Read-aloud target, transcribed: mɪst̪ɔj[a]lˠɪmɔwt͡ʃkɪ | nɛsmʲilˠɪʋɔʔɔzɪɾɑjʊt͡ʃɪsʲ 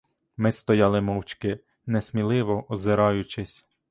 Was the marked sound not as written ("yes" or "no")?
yes